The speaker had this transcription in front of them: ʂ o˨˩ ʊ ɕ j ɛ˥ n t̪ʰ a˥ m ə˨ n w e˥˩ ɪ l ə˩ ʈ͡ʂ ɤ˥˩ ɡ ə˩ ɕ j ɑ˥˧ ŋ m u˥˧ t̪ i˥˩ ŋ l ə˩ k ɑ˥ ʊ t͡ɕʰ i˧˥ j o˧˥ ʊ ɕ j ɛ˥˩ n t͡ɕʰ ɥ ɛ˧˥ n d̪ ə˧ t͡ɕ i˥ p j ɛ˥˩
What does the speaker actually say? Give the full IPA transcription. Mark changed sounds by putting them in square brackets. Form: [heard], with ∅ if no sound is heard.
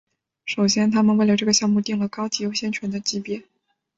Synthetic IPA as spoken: ʂ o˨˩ ʊ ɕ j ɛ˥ n t̪ʰ a˥ m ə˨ n w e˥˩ ɪ l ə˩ ʈ͡ʂ ɤ˥˩ ɡ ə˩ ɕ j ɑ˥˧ ŋ m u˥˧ t̪ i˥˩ ŋ l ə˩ k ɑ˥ ʊ [t͡ɕ] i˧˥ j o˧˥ ʊ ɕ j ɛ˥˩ n t͡ɕʰ ɥ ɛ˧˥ n d̪ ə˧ t͡ɕ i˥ p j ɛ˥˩